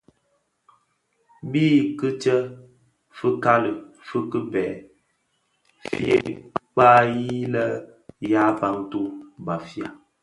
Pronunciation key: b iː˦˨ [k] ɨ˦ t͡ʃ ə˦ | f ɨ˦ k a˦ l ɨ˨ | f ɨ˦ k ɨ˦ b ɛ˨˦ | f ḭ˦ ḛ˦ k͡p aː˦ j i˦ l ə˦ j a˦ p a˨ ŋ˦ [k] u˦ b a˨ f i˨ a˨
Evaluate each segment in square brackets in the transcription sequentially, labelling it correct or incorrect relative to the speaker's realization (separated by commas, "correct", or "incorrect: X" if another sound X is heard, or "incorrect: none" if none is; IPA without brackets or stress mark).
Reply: correct, incorrect: t